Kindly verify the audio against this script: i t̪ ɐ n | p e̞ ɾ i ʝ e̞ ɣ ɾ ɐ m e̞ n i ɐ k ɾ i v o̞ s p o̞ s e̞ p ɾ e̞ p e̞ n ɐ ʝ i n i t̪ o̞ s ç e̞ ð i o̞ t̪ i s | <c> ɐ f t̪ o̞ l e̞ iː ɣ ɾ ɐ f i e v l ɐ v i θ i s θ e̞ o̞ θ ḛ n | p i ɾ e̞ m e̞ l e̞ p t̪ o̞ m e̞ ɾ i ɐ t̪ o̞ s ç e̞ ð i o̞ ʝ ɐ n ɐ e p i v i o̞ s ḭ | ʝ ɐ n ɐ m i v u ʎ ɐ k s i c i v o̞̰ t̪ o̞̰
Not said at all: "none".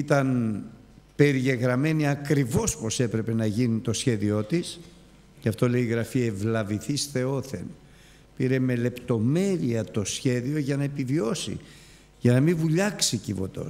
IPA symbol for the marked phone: c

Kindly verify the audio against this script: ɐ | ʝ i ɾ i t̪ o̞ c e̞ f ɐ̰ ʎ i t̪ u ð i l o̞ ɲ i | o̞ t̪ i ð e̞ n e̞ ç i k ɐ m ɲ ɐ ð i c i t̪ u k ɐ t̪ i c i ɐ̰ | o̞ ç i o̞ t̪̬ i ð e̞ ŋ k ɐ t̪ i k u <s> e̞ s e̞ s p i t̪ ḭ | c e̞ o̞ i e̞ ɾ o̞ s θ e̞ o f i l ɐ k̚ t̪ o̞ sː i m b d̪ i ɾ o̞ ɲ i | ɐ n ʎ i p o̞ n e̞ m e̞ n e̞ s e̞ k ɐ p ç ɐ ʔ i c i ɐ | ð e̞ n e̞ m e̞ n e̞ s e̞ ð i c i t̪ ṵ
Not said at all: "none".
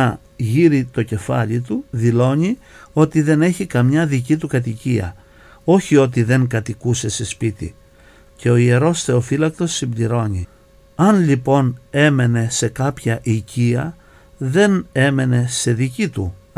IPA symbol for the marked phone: s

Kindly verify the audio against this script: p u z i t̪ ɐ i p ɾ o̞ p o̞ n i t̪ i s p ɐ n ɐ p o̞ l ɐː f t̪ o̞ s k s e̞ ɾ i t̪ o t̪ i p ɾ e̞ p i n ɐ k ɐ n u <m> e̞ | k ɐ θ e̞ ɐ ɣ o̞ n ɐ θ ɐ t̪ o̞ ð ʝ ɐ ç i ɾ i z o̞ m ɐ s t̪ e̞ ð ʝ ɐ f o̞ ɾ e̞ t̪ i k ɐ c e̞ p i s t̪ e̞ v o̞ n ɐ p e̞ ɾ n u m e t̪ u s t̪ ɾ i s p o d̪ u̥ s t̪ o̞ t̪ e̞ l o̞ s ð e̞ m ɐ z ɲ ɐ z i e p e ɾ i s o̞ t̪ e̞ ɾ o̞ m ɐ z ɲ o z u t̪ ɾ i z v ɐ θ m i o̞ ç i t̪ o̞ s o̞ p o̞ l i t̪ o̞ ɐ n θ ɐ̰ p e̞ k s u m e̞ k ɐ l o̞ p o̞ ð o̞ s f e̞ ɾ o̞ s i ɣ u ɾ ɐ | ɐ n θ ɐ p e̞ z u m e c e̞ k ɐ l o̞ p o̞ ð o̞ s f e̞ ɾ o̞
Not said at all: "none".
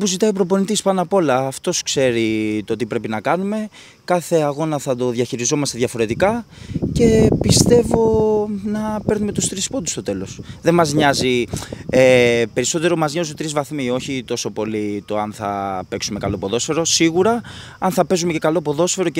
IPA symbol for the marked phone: m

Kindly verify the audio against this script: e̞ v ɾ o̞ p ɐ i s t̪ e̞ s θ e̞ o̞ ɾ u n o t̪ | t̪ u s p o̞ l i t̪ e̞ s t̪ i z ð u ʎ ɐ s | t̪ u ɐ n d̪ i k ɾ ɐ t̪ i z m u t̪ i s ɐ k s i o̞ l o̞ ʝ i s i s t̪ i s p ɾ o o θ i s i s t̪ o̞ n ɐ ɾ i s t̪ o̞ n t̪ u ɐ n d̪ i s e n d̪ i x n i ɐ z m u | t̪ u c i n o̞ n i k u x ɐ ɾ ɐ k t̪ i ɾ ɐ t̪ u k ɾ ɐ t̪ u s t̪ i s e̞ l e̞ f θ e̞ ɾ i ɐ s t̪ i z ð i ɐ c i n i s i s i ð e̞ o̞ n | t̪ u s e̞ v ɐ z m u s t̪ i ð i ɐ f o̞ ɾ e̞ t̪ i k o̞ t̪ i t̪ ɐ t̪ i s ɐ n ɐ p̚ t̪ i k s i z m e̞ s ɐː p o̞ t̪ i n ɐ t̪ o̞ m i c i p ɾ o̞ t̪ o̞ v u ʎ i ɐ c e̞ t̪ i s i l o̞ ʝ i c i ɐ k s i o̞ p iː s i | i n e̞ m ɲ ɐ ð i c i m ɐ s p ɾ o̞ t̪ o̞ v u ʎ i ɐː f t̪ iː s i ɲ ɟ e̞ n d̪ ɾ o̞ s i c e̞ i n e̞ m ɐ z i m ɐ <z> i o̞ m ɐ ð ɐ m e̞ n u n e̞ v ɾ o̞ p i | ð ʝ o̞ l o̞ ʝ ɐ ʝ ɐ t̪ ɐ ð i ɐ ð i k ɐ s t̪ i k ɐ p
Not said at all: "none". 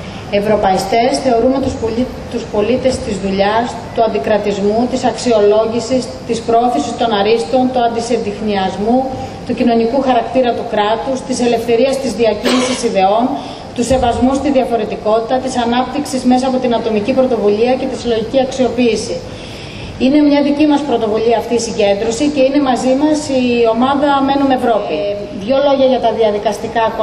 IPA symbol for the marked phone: s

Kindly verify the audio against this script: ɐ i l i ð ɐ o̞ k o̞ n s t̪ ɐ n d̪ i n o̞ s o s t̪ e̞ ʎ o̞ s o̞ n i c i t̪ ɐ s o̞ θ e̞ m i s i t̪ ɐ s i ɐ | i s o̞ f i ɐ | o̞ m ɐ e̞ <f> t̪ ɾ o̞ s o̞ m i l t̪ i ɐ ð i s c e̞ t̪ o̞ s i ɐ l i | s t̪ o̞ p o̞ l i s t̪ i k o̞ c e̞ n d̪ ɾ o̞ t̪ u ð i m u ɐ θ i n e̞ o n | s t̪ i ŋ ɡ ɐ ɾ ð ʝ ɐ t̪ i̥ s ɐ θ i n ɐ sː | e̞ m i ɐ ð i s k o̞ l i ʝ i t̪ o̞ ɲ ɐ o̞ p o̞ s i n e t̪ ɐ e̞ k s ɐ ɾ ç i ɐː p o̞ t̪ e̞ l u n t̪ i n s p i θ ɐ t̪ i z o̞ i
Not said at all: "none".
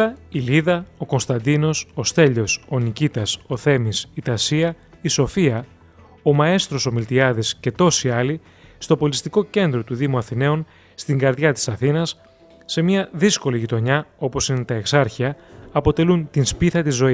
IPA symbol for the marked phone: s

